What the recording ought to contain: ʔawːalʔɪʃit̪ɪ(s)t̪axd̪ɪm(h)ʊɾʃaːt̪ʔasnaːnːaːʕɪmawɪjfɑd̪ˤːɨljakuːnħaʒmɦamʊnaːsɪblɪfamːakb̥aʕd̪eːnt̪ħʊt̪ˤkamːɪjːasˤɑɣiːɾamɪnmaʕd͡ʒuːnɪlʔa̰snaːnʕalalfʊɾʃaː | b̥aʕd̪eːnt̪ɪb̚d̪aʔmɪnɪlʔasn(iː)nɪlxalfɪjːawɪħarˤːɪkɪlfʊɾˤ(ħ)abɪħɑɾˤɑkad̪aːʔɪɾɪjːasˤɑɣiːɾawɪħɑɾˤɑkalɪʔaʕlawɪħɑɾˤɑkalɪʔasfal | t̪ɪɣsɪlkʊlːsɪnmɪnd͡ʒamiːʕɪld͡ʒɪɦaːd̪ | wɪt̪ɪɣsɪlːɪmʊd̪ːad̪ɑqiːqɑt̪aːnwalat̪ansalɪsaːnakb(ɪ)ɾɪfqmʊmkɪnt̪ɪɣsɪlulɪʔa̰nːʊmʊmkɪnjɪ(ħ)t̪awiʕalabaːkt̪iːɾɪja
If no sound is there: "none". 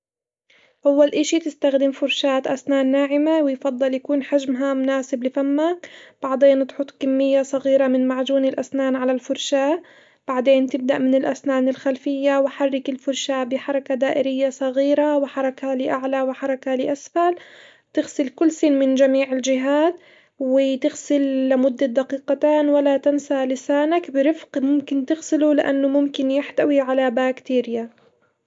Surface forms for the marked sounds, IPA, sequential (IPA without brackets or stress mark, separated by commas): s, f, aː, ʃ, ɪ, ħ